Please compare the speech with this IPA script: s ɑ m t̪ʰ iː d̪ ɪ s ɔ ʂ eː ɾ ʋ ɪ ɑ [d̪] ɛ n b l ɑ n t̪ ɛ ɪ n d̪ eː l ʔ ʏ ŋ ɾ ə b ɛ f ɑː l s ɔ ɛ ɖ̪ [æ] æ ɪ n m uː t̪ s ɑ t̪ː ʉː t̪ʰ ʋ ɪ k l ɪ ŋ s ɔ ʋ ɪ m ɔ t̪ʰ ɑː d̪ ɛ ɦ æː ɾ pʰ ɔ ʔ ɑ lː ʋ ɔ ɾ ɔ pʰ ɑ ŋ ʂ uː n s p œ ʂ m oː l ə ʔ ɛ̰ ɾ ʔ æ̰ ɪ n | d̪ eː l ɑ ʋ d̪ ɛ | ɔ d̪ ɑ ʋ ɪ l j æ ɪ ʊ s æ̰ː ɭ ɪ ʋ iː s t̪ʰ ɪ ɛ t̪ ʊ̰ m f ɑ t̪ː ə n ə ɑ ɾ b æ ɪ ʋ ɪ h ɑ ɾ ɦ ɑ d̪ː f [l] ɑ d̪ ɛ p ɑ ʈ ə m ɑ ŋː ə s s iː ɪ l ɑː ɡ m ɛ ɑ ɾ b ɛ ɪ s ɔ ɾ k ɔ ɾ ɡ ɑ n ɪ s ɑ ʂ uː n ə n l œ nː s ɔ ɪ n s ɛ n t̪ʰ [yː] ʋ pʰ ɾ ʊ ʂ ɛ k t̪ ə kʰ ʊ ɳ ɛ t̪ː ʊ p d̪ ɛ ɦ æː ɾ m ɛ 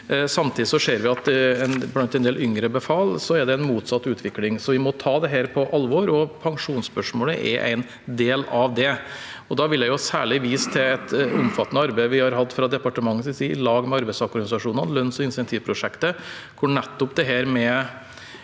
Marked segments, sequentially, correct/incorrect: incorrect: t̪, incorrect: ɛ, incorrect: ɾ, incorrect: iː

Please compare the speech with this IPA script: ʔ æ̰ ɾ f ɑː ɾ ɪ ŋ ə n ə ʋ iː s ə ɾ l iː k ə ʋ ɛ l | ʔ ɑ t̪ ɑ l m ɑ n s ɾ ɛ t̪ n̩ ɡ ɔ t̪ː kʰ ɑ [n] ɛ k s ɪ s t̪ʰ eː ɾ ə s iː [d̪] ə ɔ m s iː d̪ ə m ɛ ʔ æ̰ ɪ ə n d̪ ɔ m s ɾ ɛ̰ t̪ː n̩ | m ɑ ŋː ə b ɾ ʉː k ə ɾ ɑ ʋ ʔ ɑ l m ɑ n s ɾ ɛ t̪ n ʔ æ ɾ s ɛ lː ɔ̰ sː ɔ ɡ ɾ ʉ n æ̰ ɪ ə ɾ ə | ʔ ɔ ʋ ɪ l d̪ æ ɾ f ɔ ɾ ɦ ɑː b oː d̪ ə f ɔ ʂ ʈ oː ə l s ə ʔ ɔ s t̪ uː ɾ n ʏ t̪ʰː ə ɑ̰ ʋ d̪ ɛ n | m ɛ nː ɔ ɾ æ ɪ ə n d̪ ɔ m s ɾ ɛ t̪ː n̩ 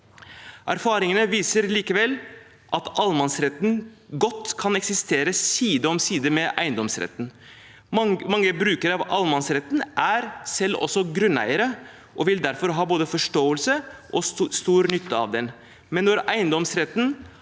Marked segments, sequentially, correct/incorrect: correct, correct

